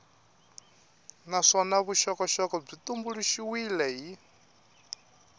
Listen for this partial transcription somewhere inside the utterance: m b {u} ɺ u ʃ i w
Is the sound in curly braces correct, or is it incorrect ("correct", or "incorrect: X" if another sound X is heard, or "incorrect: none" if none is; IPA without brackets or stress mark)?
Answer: correct